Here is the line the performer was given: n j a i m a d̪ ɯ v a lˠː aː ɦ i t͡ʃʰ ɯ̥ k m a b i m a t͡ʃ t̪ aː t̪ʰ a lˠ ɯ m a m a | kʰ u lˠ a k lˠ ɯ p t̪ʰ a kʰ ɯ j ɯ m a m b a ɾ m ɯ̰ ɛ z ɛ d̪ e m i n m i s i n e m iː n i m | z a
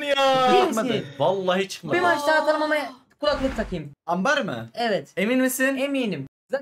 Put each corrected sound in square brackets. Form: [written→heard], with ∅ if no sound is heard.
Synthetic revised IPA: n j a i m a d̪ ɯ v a lˠː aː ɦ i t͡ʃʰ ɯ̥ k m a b i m a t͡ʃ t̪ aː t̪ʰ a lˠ ɯ m a m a | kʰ u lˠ a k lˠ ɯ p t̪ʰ a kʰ ɯ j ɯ m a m b a ɾ m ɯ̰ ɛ [z→v] ɛ [d̪→t̪] e m i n m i s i n e m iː n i m | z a

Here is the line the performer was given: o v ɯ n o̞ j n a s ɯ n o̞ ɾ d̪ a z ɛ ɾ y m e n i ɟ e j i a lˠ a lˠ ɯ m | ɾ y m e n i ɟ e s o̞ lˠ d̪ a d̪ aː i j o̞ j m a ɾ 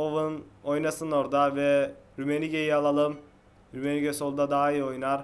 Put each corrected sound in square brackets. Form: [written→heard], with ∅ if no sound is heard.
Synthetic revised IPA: o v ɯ n o̞ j n a s ɯ n o̞ ɾ d̪ a [z→v] ɛ ɾ y m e n i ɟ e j i a lˠ a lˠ ɯ m | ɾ y m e n i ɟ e s o̞ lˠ d̪ a d̪ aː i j o̞ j [m→n] a ɾ

